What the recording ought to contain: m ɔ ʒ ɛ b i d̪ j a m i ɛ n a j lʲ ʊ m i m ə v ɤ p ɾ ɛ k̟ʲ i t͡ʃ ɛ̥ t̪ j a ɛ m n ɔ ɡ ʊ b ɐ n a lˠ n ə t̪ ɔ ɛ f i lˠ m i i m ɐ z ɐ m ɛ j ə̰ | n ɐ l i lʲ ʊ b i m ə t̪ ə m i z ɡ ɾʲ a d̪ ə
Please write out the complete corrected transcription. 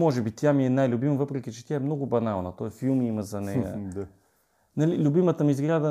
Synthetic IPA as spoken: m ɔ ʒ ɛ b i t̪ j a m i ɛ n a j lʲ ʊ b i m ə v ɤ p ɾ ɛ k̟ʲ i t͡ʃ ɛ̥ t̪ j a ɛ m n ɔ ɡ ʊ b ɐ n a lˠ n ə t̪ ɔ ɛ f i lˠ m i i m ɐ z ɐ n ɛ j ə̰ | n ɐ l i lʲ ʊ b i m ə t̪ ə m i z ɡ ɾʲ a d̪ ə